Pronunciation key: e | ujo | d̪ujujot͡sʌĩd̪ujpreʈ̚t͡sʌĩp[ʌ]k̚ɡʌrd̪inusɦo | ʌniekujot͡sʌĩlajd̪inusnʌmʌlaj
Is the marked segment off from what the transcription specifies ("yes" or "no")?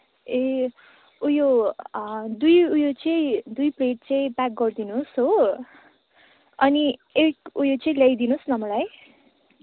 yes